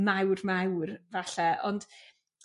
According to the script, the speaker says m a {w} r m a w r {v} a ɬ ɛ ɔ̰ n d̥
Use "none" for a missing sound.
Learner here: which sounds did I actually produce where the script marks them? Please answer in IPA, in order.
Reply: w, v

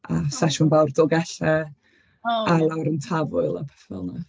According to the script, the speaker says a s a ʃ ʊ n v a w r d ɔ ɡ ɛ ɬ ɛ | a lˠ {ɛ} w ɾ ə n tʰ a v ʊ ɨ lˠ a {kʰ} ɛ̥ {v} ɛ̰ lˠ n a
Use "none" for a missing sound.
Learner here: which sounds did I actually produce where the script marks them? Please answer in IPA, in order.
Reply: a, pʰ, f

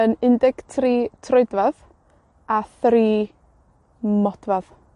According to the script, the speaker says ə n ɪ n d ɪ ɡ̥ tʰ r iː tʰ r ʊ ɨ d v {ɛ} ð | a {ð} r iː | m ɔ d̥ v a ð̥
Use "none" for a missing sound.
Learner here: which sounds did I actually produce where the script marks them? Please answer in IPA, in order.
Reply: a, θ

